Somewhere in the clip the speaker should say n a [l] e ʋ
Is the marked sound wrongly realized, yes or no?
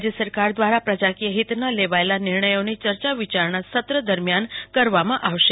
no